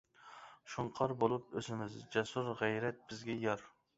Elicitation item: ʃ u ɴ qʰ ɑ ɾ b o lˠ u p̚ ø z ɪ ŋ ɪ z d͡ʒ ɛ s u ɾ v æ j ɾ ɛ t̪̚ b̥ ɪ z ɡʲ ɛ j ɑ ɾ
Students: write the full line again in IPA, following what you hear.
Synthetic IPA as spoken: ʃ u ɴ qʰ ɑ ɾ b o lˠ u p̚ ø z ɪ m ɪ z d͡ʒ ɛ s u ɾ ʁ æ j ɾ ɛ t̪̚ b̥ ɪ z ɡʲ ɛ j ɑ ɾ